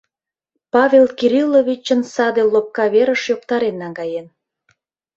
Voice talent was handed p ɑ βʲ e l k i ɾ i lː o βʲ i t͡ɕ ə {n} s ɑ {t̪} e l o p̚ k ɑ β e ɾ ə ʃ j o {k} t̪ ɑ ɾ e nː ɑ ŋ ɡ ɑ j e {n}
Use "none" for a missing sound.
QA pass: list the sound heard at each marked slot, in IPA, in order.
n, d̪, k, n

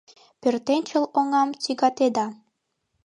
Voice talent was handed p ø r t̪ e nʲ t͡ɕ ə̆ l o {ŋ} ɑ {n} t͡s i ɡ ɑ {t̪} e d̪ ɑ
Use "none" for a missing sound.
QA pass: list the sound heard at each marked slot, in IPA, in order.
ŋ, m, t̪

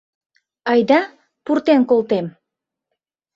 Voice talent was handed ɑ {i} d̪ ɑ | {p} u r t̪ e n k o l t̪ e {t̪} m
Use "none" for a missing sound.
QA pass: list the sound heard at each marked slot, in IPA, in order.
j, p, none

